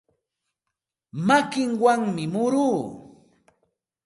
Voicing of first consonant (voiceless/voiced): voiced